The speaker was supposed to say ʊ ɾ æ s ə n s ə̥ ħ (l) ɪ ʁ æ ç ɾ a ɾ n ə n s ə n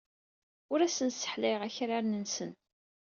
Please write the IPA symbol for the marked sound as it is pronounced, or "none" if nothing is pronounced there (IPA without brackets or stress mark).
l